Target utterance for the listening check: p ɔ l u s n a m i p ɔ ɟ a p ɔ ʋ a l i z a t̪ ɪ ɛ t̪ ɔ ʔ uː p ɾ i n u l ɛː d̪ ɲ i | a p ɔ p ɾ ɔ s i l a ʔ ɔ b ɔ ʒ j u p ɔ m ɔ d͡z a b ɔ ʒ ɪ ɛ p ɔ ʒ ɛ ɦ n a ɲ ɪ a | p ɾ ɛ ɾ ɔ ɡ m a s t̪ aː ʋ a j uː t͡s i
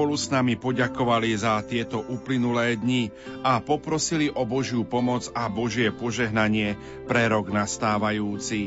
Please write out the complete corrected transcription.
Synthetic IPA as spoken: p ɔ l u s n a m i p ɔ ɟ a k ɔ ʋ a l i z a t̪ ɪ ɛ t̪ ɔ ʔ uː p l i n u l ɛː d̪ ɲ i | a p ɔ p ɾ ɔ s i l i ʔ ɔ b ɔ ʒ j u p ɔ m ɔ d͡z a b ɔ ʒ ɪ ɛ p ɔ ʒ ɛ ɦ n a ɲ ɪ ɛ | p ɾ ɛ ɾ ɔ ɡ n a s t̪ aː ʋ a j uː t͡s i